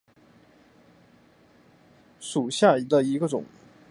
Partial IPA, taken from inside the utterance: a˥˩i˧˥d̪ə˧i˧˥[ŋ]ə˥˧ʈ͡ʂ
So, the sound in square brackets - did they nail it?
no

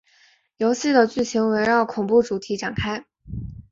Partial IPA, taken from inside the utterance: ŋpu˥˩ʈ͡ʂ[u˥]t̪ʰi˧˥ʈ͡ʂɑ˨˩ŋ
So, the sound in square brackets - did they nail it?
no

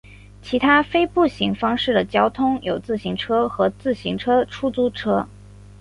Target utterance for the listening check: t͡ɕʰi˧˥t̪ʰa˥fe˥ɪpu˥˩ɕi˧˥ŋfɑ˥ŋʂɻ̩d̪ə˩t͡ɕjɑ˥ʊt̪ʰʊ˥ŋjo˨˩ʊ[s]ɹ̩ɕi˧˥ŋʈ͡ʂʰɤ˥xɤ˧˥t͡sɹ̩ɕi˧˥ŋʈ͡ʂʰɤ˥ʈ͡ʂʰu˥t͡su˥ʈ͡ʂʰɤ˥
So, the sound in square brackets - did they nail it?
no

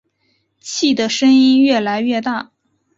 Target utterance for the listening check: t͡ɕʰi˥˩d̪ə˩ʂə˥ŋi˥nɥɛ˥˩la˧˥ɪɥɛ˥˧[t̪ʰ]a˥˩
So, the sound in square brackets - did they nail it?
no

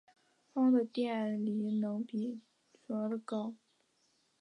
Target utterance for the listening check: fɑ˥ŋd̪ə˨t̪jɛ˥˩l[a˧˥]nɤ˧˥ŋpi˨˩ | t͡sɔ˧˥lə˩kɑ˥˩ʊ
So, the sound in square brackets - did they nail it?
no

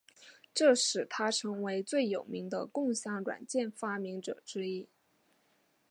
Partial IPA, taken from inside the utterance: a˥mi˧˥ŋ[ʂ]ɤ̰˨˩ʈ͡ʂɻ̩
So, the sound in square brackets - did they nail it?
no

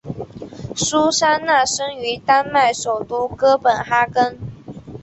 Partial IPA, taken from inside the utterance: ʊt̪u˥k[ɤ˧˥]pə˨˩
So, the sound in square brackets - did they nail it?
no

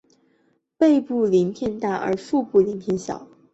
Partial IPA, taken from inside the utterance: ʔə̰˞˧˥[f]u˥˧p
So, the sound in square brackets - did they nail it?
yes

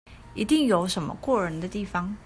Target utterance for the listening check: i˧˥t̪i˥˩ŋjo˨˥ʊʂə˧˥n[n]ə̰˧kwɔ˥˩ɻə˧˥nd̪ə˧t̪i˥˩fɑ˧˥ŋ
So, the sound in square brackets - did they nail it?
no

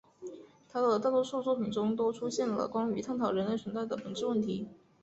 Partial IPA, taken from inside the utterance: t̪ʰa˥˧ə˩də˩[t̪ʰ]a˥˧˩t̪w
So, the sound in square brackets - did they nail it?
no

